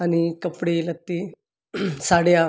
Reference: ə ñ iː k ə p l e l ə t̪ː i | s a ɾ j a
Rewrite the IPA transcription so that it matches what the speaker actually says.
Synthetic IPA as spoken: a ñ i k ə p ɽ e l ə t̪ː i | s a ɽ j a